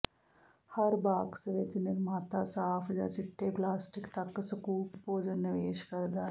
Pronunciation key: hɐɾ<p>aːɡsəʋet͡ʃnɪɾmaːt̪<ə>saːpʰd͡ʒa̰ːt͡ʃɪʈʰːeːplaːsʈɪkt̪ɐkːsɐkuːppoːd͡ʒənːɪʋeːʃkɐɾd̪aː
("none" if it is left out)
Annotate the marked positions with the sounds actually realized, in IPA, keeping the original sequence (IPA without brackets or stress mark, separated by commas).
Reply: b, a